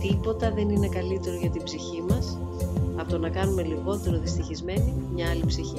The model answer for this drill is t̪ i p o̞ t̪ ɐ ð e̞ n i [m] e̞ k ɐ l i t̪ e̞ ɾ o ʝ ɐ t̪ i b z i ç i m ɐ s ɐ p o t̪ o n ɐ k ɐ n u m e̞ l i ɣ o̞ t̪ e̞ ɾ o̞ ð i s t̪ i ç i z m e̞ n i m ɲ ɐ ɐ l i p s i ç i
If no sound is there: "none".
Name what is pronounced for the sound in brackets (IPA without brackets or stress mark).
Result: n